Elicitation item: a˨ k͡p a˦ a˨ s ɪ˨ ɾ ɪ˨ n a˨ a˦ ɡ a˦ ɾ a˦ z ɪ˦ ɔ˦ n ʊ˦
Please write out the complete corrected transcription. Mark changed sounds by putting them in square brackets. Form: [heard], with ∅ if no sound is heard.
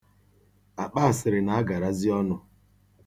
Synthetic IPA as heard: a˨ k͡p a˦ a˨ s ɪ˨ ɾ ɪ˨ n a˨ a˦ ɡ [a˨] ɾ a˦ z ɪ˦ ɔ˦ n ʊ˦

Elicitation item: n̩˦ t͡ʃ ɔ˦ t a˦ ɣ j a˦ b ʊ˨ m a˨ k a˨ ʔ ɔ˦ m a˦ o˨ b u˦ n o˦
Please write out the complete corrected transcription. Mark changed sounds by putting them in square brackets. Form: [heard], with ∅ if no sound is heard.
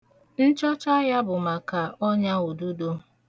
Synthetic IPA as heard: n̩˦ t͡ʃ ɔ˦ [t͡ʃ] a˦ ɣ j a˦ b ʊ˨ m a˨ k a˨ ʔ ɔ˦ [ɲ] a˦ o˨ [d] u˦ [d] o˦

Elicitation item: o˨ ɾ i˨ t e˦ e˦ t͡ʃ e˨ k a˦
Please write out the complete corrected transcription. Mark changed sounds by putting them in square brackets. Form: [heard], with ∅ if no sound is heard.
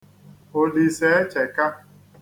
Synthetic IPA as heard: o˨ [l] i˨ [s] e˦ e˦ t͡ʃ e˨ k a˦

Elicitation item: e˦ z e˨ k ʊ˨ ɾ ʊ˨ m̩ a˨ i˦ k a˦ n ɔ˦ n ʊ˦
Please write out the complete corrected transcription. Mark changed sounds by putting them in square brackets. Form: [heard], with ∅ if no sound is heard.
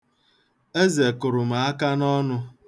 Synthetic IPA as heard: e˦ z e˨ k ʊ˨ ɾ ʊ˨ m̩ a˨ [a˦] k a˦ n ɔ˦ n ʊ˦

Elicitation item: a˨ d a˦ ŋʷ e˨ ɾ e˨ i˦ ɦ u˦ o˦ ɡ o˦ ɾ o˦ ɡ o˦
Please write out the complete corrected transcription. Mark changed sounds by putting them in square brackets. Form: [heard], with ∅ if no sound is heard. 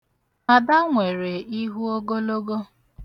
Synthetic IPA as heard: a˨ d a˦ ŋʷ e˨ ɾ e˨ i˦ ɦ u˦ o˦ ɡ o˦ [l] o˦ ɡ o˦

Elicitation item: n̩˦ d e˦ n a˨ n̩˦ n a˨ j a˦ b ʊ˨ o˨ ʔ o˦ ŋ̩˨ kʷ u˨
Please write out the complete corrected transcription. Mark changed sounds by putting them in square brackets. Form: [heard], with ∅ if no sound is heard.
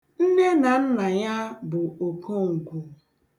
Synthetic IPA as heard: n̩˦ [n] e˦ n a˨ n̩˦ n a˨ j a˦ b ʊ˨ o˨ [k] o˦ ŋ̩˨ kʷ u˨

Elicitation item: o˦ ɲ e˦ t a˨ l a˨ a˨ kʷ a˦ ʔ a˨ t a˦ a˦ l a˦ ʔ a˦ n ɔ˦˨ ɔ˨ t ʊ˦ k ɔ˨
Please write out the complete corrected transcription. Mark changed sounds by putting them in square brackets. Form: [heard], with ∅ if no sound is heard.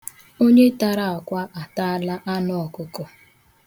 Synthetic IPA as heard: o˦ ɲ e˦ t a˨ [ɾ] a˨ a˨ kʷ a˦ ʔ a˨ t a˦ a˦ l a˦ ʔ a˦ n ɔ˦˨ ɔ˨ [k] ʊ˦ k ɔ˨

